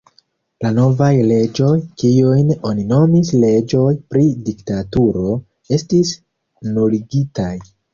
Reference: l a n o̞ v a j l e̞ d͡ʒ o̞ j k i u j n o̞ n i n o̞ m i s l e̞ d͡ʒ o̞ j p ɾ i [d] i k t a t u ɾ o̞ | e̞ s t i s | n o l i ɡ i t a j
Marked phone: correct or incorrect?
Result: correct